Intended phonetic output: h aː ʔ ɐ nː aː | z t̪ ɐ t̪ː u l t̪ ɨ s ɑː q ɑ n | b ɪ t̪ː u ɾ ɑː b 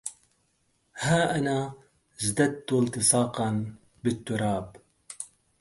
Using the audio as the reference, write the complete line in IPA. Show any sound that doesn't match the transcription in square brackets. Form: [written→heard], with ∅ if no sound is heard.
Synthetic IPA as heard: h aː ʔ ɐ [nː→n] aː | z [t̪→d̪] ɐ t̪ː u l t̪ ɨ s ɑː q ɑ n | b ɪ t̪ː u ɾ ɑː b

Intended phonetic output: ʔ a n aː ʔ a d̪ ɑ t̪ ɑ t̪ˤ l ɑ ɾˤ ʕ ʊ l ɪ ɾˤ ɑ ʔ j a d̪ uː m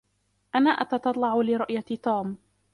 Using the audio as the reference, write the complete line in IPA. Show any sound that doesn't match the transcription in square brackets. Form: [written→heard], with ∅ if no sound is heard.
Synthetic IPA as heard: ʔ a n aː ʔ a [d̪→t̪] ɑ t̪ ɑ t̪ˤ l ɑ [ɾˤ→∅] ʕ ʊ l ɪ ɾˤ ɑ ʔ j a [d̪→t̪] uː m

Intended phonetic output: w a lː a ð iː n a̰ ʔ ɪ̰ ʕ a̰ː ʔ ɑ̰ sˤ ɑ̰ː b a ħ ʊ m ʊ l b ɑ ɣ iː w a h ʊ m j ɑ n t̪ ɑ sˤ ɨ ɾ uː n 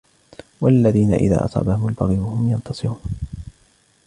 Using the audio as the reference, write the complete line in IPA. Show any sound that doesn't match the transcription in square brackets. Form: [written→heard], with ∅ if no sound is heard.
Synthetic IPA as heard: w a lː a ð iː n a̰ ʔ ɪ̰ [ʕ→ð] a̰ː ʔ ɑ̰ sˤ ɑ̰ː b a [ħ→h] ʊ m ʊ l b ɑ ɣ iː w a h ʊ m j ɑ n t̪ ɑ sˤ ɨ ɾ uː n

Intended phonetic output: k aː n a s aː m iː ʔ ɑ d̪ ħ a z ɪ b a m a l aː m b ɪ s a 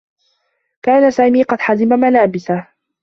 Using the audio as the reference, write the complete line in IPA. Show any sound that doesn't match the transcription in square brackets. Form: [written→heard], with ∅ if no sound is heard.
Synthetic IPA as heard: k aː n a s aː m iː [ʔ→q] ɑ d̪ ħ a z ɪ [b→m] a m a l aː [m→∅] b ɪ s a

